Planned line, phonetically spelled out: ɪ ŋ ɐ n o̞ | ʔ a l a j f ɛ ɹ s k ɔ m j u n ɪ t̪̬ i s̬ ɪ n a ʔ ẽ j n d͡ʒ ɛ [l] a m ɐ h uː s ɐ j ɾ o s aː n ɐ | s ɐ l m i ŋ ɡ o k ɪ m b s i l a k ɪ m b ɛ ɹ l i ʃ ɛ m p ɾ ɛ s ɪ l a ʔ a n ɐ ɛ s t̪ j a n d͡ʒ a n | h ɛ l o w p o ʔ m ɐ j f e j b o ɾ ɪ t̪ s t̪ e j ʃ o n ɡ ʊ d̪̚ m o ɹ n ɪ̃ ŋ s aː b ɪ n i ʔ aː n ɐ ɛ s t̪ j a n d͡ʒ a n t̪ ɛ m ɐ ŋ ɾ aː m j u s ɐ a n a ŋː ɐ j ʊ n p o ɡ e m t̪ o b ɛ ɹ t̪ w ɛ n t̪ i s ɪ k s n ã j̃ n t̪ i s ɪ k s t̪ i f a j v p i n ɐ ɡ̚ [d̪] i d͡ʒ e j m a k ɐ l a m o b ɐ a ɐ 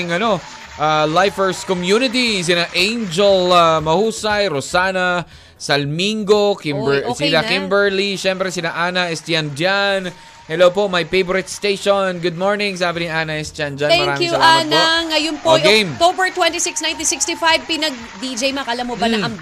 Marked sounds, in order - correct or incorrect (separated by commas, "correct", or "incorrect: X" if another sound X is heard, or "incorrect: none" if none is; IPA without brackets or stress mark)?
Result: correct, correct